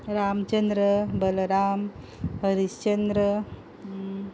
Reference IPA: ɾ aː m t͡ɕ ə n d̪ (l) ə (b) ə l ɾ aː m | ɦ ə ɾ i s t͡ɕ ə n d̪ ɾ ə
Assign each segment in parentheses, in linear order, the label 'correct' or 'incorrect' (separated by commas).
incorrect, correct